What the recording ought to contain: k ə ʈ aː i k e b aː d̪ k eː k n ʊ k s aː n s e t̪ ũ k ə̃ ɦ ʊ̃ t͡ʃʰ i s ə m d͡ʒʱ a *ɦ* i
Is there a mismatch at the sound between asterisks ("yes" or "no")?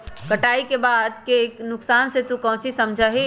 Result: no